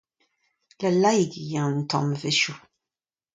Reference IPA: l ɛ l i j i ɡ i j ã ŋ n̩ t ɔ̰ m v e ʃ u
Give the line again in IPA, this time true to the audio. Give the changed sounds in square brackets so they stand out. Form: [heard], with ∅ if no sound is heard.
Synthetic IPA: l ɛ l [a] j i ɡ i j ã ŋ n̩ t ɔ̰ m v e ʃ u